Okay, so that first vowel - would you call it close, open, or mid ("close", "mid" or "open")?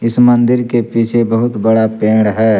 close